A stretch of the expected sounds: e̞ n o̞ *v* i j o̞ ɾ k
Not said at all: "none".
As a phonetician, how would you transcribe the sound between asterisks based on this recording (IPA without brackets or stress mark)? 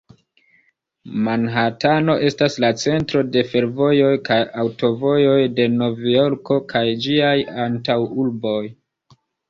v